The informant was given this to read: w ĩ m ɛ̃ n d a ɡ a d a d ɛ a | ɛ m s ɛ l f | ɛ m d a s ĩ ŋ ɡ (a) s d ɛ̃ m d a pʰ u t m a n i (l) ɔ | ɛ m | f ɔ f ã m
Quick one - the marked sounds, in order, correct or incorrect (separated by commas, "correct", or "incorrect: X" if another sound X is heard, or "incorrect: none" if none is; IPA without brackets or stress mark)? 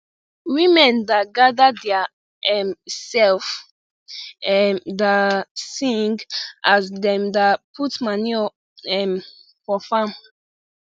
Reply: correct, incorrect: none